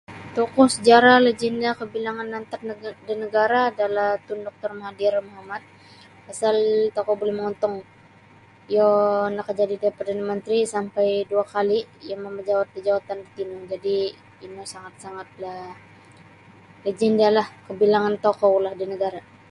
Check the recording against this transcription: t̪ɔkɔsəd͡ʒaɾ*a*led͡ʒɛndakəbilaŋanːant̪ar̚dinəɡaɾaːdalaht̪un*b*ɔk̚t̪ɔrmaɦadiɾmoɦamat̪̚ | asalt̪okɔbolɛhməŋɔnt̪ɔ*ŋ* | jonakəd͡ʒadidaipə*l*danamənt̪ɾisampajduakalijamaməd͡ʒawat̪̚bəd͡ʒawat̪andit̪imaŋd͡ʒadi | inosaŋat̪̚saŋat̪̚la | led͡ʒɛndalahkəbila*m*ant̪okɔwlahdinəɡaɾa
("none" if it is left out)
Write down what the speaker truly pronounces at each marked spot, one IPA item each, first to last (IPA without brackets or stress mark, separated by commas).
a, d, ŋ, r, ŋ